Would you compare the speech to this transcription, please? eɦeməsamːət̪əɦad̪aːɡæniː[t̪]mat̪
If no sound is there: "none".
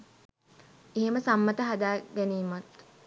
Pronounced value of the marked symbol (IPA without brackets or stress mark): none